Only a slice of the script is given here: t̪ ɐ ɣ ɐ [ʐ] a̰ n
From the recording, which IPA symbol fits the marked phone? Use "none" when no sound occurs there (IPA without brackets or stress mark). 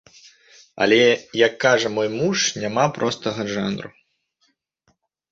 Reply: ʐ